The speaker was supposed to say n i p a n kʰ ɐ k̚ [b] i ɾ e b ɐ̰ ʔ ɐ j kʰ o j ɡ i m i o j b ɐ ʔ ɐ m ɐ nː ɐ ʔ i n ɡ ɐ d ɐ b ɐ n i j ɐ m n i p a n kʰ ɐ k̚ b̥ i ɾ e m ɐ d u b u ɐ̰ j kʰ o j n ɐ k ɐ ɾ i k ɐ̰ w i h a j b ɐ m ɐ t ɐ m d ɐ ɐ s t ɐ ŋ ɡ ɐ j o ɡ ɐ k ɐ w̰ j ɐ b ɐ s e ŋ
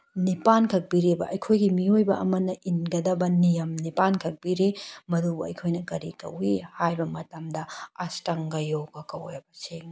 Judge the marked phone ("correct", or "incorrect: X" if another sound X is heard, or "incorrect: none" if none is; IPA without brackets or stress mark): correct